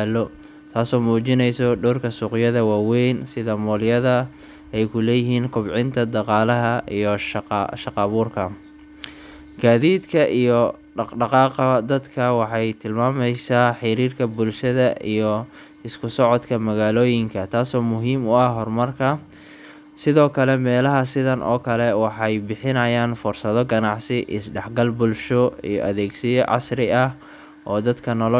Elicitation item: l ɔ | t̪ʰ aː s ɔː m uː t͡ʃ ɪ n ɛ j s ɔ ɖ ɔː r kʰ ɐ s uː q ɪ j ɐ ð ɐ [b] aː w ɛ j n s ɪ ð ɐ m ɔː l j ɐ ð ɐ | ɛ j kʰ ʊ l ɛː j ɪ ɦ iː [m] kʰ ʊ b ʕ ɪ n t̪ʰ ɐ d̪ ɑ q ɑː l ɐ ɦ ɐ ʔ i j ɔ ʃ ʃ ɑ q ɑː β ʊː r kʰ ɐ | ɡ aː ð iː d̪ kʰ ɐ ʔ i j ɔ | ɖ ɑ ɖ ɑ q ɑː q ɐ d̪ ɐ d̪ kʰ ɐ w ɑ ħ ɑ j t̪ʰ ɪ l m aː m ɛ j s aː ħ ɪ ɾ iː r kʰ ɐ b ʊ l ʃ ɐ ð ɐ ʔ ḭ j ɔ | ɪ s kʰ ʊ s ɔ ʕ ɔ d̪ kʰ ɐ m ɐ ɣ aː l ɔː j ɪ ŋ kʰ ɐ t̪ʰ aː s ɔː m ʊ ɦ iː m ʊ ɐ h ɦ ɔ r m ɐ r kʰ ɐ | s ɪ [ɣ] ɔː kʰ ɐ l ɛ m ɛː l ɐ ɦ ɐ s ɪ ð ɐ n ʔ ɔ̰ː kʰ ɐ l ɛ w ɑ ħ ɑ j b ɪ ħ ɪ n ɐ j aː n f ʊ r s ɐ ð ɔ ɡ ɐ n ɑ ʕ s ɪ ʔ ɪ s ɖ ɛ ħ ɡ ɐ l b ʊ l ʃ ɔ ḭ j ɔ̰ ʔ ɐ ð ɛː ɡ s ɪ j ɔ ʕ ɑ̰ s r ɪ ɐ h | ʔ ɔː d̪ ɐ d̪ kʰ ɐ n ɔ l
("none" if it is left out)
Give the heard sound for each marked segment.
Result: w, n, ð

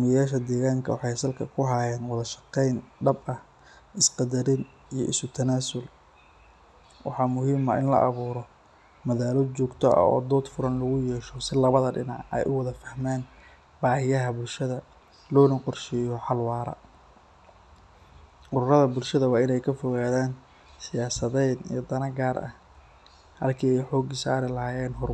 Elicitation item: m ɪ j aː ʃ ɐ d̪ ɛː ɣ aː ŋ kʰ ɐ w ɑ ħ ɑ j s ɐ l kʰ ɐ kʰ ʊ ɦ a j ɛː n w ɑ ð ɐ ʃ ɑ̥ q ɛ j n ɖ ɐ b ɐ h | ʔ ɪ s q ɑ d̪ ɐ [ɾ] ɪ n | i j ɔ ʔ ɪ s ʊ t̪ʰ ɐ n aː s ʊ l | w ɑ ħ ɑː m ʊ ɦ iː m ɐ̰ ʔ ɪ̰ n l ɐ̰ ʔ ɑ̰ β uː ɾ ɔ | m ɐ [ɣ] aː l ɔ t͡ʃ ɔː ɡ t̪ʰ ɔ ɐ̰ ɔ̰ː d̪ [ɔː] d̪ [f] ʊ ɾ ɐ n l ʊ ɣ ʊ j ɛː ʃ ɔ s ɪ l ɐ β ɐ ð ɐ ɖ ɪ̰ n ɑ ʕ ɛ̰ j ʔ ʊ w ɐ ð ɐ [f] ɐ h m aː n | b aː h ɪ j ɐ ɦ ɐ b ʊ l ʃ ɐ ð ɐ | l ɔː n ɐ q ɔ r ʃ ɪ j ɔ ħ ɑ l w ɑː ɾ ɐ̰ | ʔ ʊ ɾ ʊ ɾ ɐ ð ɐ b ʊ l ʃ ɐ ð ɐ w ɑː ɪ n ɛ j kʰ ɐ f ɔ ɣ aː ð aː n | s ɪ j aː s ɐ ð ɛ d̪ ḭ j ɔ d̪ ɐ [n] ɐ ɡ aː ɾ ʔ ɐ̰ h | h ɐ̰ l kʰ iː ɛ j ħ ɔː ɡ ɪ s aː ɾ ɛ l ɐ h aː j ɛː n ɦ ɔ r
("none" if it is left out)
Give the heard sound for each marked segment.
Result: ɾ, ð, ɔː, f, f, n

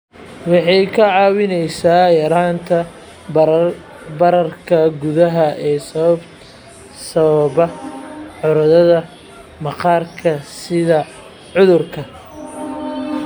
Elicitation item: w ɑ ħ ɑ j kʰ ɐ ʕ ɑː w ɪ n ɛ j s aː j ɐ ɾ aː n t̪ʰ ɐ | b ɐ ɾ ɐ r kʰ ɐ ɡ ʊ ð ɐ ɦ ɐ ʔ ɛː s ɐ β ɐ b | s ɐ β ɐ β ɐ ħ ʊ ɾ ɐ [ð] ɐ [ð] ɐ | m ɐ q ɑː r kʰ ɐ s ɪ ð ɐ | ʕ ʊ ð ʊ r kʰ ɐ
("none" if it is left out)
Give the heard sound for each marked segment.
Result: ð, ð

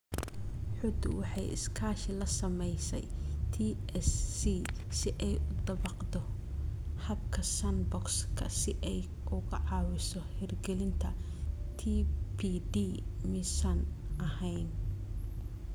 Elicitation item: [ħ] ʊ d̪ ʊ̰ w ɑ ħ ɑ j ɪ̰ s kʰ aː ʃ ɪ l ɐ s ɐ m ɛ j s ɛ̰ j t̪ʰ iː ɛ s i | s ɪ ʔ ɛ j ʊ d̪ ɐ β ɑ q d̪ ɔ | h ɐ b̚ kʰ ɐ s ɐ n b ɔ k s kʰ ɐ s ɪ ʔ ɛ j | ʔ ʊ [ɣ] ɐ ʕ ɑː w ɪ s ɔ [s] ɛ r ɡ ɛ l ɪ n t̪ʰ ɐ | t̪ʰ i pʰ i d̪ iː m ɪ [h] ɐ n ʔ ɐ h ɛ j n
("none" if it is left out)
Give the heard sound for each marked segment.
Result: ħ, ɣ, h, s

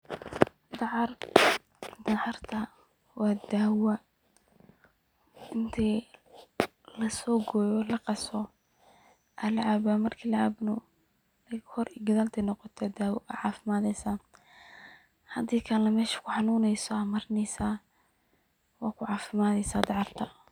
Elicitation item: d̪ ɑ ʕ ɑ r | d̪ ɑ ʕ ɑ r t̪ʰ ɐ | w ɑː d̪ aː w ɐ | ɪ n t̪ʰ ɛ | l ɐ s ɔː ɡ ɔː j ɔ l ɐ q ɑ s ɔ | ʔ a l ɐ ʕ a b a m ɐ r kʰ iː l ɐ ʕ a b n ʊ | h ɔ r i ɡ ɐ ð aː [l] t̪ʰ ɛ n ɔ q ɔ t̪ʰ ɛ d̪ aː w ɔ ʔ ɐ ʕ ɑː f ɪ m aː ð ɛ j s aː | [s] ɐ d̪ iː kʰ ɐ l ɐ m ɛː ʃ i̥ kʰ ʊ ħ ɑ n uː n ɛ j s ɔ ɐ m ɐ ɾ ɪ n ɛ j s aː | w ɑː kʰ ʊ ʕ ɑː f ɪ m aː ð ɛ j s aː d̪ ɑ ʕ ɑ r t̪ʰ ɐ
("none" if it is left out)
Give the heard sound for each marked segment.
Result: l, h

